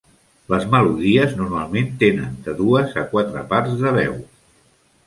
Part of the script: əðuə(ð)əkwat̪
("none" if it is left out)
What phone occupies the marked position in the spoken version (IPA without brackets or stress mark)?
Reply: z